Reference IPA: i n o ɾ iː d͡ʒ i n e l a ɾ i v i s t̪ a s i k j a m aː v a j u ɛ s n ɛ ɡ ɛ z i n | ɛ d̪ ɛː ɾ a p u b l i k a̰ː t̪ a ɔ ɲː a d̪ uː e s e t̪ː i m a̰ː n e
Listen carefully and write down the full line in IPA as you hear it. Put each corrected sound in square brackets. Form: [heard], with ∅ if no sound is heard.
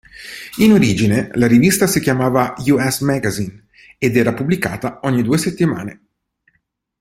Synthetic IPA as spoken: i n o ɾ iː d͡ʒ i n e l a ɾ i v i s t̪ a s i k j a m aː v a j u ɛ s [m] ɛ ɡ [a] z i n | [e] d̪ ɛː ɾ a p u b l i k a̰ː t̪ a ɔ ɲː [i] d̪ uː e s e t̪ː i m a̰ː n e